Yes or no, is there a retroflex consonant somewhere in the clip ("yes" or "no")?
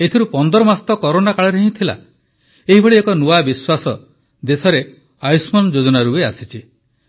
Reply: yes